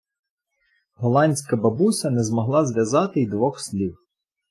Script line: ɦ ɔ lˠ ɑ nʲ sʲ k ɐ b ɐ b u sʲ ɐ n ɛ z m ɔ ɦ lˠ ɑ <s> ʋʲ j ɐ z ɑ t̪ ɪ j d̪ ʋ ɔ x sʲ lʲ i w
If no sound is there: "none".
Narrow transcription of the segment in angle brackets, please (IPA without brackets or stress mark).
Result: z